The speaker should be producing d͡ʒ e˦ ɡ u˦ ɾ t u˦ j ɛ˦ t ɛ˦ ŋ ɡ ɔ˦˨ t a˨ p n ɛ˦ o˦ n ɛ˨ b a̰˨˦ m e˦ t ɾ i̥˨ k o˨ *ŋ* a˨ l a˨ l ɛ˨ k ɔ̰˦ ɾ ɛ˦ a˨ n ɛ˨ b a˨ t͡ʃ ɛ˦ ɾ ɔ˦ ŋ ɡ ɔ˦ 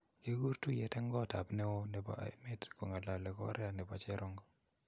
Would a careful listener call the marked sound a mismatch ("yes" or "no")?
no